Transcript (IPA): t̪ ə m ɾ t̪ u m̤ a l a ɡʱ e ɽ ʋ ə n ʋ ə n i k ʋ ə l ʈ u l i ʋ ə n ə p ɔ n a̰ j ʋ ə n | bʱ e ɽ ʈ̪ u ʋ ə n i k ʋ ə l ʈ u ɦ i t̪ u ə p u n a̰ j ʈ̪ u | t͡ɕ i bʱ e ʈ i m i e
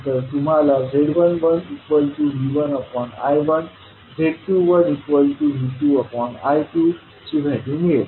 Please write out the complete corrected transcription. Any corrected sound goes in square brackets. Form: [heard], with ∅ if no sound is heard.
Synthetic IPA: t̪ ə [∅] ɾ t̪ u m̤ a l a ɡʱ e ɽ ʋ ə n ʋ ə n i k ʋ ə l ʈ u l i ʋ ə n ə p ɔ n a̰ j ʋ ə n | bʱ e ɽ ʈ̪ u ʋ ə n i k ʋ ə l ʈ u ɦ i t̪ u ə p [ɔ] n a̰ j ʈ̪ u | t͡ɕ i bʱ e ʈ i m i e